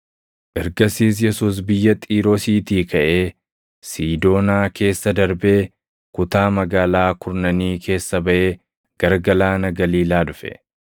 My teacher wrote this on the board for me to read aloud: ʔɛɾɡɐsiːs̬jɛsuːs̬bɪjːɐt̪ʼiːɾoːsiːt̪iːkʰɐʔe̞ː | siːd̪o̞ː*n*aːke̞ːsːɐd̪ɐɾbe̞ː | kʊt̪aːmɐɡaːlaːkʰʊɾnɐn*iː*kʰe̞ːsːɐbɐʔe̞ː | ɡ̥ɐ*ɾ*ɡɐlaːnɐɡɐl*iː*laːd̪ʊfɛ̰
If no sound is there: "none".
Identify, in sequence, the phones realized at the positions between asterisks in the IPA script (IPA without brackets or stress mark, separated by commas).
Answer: n, iː, ɾ, iː